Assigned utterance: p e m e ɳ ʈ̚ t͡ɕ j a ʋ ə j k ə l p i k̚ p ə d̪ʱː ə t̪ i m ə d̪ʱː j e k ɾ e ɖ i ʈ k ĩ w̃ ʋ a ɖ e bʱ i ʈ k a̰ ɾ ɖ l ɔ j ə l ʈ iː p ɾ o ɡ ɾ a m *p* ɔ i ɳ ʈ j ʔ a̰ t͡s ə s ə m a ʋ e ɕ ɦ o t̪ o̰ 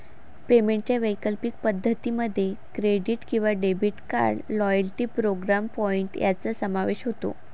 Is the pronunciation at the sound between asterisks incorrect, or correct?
correct